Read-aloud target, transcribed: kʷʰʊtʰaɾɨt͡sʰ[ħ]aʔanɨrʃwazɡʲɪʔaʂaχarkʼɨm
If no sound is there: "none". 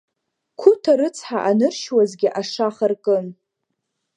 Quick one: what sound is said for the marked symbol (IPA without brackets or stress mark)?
ħ